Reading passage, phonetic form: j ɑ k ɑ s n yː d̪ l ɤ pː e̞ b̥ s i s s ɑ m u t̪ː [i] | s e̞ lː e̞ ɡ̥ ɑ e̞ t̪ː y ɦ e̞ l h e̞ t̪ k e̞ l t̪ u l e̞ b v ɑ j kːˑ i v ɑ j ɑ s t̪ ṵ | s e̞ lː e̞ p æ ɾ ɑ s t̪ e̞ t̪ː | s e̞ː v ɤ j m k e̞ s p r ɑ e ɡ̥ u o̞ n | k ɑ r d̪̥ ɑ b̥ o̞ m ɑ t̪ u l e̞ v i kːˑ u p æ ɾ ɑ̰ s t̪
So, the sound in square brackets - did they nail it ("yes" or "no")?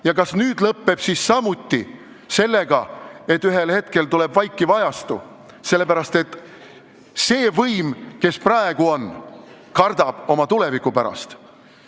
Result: yes